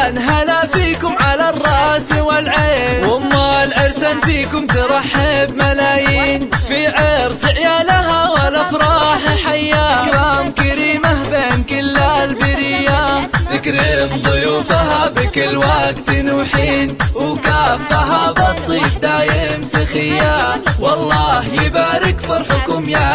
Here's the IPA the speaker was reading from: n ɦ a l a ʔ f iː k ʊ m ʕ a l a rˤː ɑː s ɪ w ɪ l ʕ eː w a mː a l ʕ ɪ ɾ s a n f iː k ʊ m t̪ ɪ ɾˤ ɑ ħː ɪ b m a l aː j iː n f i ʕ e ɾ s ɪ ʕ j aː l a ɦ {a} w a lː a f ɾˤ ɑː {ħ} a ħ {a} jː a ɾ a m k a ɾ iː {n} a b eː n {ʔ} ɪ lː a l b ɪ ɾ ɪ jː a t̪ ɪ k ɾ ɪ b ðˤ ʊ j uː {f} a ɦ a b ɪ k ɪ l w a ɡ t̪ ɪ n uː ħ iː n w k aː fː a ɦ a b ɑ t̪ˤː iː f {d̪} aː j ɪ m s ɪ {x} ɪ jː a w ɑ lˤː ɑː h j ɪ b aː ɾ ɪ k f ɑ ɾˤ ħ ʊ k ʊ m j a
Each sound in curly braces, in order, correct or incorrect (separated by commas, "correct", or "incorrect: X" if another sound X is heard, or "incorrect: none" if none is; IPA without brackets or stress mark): correct, correct, correct, incorrect: m, incorrect: k, correct, correct, correct